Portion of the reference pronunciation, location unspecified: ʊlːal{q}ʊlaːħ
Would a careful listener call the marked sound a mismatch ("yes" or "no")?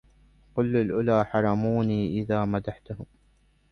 yes